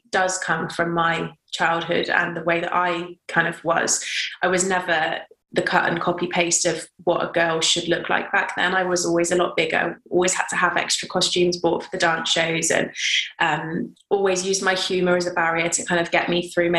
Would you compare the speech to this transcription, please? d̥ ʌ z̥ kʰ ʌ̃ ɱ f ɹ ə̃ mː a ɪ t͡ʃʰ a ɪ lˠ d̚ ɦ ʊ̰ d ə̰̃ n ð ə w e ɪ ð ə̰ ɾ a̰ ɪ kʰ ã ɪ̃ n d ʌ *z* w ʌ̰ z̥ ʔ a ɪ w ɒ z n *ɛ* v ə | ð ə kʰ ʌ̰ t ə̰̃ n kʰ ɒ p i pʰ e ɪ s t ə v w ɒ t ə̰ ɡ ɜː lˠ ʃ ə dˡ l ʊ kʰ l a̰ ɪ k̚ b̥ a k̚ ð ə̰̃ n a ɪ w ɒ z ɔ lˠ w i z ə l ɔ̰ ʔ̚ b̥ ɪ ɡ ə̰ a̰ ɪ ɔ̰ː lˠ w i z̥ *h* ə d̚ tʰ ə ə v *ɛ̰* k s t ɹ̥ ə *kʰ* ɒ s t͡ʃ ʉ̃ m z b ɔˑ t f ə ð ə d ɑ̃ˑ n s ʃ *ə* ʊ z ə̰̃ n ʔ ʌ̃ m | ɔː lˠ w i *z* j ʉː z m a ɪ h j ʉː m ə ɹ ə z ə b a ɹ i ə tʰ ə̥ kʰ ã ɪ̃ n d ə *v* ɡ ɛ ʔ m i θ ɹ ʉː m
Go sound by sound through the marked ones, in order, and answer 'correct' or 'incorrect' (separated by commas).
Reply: incorrect, correct, correct, correct, correct, correct, correct, correct